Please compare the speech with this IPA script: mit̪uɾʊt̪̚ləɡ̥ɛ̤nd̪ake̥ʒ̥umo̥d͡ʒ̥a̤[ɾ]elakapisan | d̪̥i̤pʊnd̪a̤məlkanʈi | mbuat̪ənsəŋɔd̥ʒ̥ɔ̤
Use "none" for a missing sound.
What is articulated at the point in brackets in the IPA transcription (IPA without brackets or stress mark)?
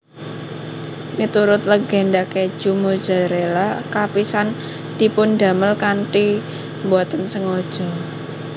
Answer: ɾ